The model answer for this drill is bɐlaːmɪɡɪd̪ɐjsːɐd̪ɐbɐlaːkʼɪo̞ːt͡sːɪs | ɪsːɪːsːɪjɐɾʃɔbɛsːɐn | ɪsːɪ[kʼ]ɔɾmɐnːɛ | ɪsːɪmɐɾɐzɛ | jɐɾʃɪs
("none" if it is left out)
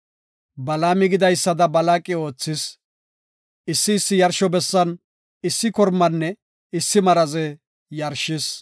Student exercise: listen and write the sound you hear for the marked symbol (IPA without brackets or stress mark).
k